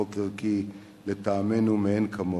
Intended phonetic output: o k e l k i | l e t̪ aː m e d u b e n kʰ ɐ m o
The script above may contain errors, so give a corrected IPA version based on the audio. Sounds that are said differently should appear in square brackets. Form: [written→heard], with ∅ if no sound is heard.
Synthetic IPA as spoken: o k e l k i | l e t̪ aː m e [d→n] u [b→m] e n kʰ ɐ m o